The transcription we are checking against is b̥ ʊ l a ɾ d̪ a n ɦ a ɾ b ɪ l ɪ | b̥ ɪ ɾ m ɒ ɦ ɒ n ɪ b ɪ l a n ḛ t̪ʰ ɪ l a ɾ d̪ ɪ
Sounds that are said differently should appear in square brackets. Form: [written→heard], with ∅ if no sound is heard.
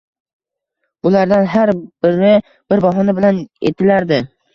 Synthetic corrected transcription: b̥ ʊ l a ɾ d̪ a n ɦ a ɾ b ɪ [l→ɾ] ɪ | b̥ ɪ ɾ [m→b] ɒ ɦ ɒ n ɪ b ɪ l a n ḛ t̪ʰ ɪ l a ɾ d̪ ɪ